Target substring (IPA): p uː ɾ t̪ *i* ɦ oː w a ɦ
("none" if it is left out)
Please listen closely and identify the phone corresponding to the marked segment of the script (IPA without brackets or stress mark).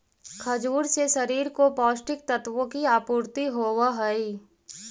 i